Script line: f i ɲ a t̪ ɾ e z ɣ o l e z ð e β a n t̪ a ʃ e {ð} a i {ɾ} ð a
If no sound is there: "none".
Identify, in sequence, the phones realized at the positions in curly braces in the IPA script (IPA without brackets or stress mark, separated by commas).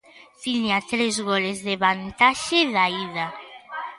ð, none